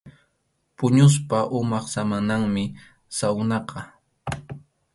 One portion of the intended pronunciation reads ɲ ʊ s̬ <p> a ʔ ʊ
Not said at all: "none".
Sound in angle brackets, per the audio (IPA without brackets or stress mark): p